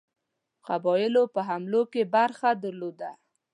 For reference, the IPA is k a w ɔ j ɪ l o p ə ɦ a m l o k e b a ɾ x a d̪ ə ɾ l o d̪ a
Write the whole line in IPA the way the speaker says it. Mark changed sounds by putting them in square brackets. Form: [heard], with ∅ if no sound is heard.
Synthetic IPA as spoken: [q] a [b] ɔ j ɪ l o p ə ɦ a m l o k e b a ɾ x a d̪ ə ɾ l o d̪ a